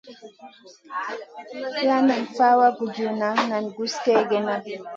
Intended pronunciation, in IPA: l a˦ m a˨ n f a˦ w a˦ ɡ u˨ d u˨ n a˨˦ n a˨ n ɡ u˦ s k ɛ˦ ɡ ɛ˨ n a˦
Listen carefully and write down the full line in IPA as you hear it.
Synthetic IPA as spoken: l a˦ n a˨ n f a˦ w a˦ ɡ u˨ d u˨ n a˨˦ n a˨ n ɡ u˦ s k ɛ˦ ɡ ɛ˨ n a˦